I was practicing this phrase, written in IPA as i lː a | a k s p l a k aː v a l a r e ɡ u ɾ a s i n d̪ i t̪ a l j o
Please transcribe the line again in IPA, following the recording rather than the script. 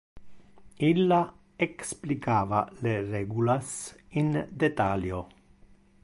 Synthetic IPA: i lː a | e k s p l i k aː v a l e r e ɡ u l a s i n d̪ e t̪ a l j o